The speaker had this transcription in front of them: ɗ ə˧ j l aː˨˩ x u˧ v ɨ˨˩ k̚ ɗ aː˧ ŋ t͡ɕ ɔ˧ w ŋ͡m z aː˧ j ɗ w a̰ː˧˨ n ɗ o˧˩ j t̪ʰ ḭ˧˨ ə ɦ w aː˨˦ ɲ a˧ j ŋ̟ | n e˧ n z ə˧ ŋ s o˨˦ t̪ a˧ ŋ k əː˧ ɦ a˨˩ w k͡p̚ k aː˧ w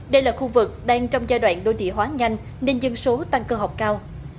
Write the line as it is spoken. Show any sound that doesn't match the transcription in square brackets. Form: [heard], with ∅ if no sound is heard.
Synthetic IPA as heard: ɗ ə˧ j l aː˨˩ x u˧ v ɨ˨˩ k̚ ɗ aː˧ ŋ t͡ɕ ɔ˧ w ŋ͡m z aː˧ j ɗ w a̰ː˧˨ n ɗ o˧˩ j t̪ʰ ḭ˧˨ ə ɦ w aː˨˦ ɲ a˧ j ŋ̟ | n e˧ n z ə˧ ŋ s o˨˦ t̪ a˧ ŋ k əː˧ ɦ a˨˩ w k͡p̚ k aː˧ w

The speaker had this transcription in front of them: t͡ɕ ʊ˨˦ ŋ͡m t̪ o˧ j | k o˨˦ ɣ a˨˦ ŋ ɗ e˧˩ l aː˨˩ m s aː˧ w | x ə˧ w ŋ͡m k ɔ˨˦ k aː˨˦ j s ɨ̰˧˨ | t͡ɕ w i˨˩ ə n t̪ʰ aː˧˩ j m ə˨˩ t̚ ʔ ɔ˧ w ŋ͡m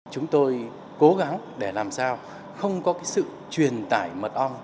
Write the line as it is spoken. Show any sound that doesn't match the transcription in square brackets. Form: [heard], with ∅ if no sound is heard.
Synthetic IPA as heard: t͡ɕ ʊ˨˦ ŋ͡m t̪ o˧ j | k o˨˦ ɣ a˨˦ ŋ ɗ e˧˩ l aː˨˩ m s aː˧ w | x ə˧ w ŋ͡m k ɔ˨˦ k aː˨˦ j s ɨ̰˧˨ | t͡ɕ w i˨˩ ə n [t̪] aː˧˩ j m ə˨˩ t̚ ʔ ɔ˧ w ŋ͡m

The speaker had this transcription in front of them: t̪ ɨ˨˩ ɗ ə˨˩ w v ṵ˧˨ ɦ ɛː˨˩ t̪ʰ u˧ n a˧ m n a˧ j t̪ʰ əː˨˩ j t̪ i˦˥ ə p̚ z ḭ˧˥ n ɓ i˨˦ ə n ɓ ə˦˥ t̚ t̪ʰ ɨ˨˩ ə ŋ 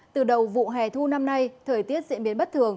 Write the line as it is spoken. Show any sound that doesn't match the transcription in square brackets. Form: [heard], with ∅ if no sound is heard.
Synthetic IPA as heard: t̪ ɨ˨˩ ɗ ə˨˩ w v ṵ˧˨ ɦ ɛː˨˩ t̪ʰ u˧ n a˧ m n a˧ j t̪ʰ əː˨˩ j t̪ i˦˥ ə [t̚] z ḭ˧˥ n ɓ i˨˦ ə n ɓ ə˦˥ t̚ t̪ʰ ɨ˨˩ ə ŋ

